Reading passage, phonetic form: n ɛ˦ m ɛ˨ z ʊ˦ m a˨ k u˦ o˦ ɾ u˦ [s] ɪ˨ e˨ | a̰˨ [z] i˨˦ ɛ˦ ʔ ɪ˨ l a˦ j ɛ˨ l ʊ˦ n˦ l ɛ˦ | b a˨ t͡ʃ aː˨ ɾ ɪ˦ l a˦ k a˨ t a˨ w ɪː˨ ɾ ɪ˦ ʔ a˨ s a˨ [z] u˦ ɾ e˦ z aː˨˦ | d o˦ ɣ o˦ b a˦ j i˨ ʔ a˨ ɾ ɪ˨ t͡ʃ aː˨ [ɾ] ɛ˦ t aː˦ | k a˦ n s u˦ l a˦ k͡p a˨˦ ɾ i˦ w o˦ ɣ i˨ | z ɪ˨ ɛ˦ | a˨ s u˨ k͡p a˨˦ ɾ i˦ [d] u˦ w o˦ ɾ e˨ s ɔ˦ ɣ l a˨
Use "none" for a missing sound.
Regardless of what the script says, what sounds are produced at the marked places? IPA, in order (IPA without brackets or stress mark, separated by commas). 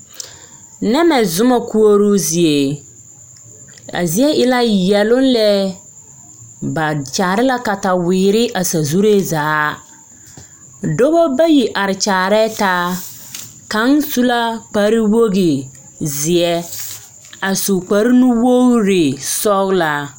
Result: z, z, z, ɾ, n